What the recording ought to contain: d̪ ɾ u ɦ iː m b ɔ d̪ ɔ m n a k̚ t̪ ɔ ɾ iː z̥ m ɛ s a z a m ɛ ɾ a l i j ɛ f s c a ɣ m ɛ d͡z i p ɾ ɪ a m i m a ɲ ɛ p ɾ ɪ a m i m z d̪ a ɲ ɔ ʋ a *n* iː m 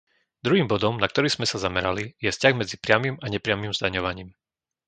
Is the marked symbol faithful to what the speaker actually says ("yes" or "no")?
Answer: no